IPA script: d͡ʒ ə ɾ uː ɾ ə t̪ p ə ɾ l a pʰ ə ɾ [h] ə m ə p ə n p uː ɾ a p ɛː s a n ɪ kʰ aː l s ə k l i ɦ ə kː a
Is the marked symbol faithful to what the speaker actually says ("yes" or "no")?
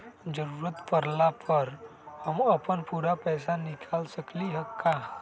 yes